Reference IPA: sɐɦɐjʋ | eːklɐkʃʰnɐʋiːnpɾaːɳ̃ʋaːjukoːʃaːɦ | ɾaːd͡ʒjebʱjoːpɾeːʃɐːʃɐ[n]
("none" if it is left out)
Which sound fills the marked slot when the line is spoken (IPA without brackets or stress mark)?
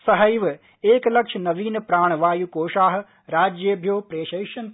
n